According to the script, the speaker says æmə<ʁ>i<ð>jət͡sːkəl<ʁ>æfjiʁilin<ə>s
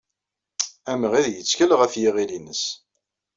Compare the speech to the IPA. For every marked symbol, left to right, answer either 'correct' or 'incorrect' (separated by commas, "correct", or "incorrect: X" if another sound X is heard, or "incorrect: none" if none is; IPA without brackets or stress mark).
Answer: correct, correct, correct, correct